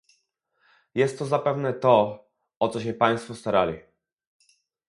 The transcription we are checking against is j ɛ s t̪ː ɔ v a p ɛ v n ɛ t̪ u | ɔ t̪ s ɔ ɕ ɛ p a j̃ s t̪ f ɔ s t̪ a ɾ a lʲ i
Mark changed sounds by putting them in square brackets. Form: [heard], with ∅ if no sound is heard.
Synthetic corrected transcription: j ɛ s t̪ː ɔ [z] a p ɛ v n ɛ t̪ [ɔ] | ɔ t̪ s ɔ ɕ ɛ p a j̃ s t̪ f ɔ s t̪ a ɾ a lʲ i